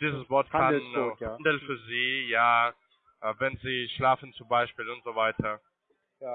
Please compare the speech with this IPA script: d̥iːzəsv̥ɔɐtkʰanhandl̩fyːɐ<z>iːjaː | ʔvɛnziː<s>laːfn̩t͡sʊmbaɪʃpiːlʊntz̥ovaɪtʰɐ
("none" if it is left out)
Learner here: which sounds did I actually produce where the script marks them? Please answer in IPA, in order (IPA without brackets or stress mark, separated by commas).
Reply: z, ʃ